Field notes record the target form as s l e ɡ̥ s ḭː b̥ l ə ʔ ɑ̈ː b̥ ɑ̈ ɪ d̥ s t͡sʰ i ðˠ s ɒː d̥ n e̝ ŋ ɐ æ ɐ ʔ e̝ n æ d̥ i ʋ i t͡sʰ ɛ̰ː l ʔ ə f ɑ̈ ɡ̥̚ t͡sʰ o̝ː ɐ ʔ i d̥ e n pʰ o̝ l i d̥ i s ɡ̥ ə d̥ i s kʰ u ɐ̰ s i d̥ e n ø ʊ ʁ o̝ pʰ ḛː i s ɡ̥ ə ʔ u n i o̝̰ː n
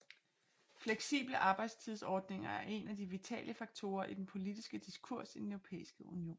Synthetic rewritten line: f l e ɡ̥ s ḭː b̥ l ə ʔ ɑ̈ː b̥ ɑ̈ ɪ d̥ s t͡sʰ i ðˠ s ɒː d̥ n e̝ ŋ ɐ æ ɐ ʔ e̝ n æ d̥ i ʋ i t͡sʰ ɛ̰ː l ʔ ə f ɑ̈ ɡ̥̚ t͡sʰ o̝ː ɐ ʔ i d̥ e n pʰ o̝ l i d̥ i s ɡ̥ ə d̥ i s kʰ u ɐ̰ s i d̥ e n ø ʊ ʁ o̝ pʰ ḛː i s ɡ̥ ə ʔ u n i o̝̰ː n